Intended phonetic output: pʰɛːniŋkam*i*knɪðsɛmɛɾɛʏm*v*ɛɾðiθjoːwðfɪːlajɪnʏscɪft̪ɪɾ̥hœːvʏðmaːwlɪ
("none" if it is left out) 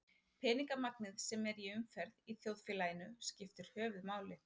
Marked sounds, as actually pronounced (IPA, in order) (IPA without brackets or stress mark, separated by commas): a, f